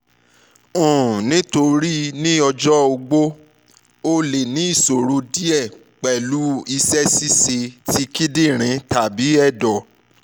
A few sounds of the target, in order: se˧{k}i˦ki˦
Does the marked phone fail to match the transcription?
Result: yes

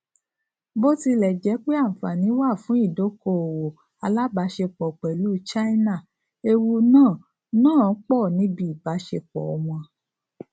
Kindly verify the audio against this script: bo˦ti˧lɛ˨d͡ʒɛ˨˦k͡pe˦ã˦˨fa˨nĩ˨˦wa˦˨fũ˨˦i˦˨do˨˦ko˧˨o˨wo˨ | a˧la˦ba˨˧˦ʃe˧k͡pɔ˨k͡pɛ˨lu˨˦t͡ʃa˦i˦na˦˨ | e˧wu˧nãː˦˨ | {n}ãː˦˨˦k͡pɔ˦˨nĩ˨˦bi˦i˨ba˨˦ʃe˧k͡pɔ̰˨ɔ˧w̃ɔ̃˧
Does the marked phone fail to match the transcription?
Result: no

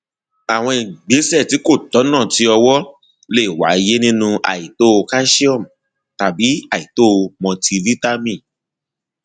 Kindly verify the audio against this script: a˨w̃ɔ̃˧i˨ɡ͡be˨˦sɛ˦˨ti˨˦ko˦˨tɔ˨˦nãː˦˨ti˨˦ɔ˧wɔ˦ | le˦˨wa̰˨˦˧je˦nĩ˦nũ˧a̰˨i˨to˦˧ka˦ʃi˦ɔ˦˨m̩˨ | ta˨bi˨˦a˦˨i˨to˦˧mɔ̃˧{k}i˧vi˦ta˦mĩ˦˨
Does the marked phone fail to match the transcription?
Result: yes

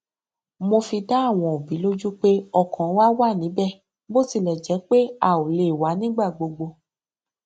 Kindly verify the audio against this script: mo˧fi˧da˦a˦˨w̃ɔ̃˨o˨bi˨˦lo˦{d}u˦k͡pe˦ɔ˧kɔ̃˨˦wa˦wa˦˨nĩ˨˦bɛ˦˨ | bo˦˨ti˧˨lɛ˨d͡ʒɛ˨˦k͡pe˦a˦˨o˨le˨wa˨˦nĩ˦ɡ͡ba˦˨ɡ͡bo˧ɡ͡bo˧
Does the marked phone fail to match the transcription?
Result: yes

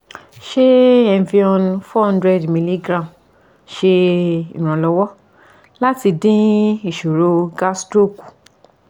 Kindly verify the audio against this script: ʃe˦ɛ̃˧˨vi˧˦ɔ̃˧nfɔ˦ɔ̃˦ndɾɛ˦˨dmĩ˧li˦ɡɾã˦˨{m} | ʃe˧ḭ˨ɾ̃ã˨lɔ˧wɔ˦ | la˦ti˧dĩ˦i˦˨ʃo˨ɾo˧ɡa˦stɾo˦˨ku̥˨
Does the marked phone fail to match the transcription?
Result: no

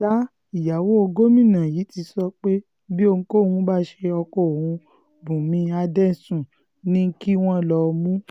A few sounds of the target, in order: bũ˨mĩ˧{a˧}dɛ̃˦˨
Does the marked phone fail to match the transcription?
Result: no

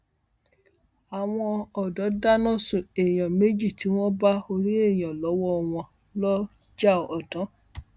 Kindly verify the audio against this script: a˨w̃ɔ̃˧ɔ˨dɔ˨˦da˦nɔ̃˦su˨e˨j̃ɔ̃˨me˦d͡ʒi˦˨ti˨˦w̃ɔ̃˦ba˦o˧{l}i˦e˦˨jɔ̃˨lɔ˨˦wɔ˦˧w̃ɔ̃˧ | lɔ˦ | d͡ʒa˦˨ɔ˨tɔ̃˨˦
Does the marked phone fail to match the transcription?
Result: yes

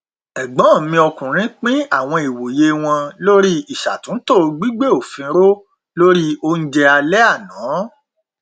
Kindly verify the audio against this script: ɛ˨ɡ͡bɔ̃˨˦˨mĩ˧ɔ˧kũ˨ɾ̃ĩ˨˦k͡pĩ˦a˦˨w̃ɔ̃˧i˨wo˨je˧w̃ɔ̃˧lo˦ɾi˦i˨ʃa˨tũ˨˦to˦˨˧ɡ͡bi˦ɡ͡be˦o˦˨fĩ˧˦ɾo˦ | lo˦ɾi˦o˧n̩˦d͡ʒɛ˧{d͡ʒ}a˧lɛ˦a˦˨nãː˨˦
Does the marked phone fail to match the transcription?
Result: yes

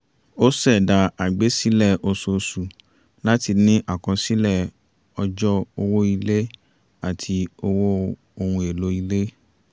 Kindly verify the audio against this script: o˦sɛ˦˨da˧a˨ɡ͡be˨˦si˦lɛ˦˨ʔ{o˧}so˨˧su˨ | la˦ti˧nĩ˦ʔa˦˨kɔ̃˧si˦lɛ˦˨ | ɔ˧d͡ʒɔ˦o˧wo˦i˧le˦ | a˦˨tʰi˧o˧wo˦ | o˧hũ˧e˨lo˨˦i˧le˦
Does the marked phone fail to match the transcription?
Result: no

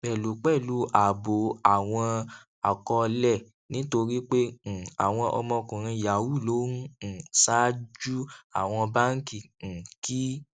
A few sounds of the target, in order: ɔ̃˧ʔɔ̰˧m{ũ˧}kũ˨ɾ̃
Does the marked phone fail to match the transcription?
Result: yes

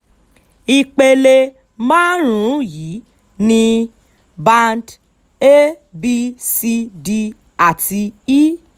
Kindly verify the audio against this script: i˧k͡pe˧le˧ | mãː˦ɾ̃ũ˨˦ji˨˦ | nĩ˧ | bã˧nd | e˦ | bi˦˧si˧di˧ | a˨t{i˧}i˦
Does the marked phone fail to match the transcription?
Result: no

